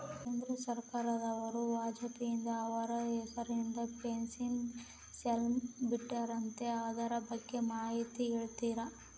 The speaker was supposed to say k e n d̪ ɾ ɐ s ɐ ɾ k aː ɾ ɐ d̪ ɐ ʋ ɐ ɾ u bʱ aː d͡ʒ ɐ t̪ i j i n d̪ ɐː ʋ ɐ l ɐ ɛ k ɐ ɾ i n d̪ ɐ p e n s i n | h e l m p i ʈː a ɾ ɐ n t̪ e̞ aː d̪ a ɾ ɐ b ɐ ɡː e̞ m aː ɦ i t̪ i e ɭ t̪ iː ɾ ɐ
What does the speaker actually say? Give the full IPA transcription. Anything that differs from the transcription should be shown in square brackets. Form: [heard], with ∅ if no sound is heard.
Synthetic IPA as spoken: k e n d̪ ɾ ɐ s ɐ ɾ k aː ɾ ɐ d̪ ɐ ʋ ɐ ɾ u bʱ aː d͡ʒ ɐ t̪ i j i n d̪ ɐː ʋ ɐ [ɾ] ɐ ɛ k ɐ ɾ i n d̪ ɐ p e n s i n | [s] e l m [b] i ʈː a ɾ ɐ n t̪ e̞ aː d̪ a ɾ ɐ b ɐ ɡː e̞ m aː ɦ i t̪ i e ɭ t̪ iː ɾ ɐ